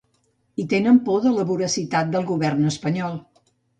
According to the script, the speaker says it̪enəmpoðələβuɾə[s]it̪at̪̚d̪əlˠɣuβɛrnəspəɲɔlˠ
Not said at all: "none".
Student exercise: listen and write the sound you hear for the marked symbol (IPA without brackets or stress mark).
s